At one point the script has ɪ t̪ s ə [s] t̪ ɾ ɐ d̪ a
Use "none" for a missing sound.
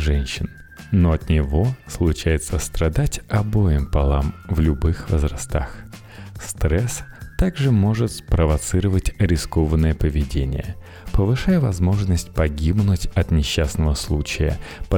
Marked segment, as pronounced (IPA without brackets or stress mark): s